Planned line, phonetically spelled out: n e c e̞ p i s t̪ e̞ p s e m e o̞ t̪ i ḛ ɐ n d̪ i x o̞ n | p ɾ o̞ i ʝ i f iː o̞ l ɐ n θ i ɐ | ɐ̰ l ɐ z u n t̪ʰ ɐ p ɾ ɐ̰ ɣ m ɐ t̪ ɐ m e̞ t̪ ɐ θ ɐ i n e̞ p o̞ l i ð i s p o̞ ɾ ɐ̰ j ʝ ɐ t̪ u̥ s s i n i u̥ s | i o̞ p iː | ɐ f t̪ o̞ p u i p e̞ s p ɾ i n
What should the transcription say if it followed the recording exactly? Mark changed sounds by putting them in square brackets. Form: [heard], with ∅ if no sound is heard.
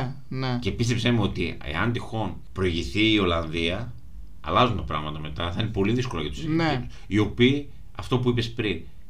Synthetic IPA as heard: n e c e̞ p i s t̪ e̞ p s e m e o̞ t̪ i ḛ ɐ n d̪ i x o̞ n | p ɾ o̞ i ʝ i [θ] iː o̞ l ɐ n [ð] i ɐ | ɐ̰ l ɐ z u n [t̪] ɐ p ɾ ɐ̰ ɣ m ɐ t̪ ɐ m e̞ t̪ ɐ θ ɐ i n e̞ p o̞ l i ð i s [k] o̞ [l] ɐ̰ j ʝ ɐ t̪ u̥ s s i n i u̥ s | i o̞ p iː | ɐ f t̪ o̞ p u i p e̞ s p ɾ i n